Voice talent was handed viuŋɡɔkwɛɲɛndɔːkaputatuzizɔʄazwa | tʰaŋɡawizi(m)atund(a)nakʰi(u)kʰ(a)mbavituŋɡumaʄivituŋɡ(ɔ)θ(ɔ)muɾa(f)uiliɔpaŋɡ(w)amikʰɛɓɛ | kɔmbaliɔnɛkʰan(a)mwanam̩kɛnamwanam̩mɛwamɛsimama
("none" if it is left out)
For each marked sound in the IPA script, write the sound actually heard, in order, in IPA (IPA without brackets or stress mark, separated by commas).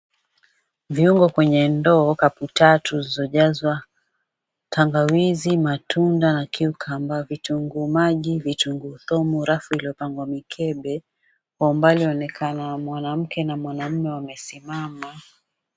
m, a, u, a, u, ɔ, f, w, a